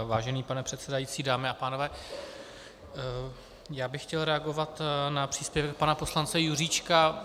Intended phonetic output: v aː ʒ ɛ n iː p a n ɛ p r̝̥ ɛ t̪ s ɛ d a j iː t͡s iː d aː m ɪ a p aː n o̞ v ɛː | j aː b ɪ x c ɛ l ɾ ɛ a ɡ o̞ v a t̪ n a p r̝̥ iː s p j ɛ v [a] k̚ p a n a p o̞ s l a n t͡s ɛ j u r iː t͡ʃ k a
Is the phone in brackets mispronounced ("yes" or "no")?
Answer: yes